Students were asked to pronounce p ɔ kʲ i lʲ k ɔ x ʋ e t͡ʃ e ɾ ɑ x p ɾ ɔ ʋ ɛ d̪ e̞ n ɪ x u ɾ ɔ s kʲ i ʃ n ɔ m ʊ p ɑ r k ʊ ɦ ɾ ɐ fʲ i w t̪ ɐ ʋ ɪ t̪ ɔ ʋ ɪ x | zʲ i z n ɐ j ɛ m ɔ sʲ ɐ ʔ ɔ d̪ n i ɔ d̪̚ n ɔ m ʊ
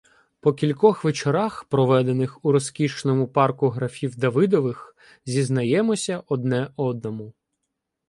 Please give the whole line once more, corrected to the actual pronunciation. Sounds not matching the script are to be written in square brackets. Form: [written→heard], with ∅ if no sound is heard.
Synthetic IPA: p ɔ kʲ i lʲ k ɔ x ʋ e t͡ʃ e ɾ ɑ x p ɾ ɔ ʋ ɛ d̪ e̞ n ɪ x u ɾ ɔ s kʲ i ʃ n ɔ m ʊ p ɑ r k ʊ ɦ ɾ ɐ fʲ i w [t̪→d̪] ɐ ʋ ɪ [t̪→d̪] ɔ ʋ ɪ x | zʲ i z n ɐ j ɛ m ɔ sʲ ɐ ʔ ɔ d̪ n [i→ɛ] ɔ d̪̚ n ɔ m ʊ